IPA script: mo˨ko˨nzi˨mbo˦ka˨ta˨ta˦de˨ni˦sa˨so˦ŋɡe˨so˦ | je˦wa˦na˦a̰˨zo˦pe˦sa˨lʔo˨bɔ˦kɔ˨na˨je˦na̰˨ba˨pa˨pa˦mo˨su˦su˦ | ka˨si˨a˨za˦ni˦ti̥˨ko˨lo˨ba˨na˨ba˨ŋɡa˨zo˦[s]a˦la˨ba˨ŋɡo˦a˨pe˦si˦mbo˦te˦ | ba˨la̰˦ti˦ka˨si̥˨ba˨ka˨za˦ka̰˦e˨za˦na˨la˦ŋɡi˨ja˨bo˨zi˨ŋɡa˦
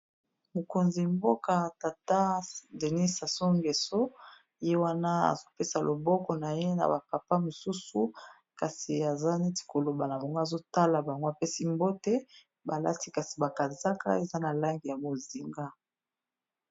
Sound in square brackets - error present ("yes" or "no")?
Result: yes